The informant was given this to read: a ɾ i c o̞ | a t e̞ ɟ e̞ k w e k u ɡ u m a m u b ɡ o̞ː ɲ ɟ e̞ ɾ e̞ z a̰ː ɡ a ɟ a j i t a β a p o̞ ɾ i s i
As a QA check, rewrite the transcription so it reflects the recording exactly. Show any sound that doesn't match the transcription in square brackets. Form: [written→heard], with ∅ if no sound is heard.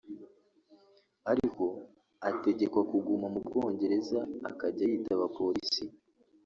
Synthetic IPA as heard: a ɾ i [c→k] o̞ | a t e̞ ɟ e̞ k w [e→a] k u ɡ u m a m u b ɡ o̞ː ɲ ɟ e̞ ɾ e̞ z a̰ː [ɡ→k] a ɟ a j i t a β a p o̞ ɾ i s i